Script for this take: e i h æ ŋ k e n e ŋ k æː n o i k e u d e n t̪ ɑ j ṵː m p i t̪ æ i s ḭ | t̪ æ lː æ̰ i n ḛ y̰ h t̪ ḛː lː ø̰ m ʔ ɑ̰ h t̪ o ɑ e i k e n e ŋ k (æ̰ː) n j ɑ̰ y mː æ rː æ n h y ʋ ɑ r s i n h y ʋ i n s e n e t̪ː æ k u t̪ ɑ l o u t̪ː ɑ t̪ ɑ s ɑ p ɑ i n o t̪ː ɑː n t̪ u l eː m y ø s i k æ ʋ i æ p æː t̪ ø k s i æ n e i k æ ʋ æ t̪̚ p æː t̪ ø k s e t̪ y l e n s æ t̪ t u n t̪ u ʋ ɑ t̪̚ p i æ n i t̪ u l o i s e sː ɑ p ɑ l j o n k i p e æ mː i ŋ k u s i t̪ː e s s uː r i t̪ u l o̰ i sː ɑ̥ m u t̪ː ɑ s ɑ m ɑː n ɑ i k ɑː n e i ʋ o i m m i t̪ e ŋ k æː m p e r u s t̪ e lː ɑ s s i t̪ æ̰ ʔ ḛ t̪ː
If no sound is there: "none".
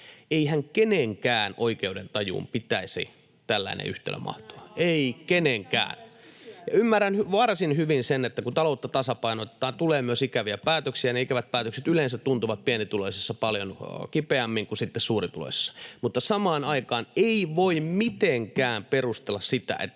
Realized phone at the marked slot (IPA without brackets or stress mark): æ̰ː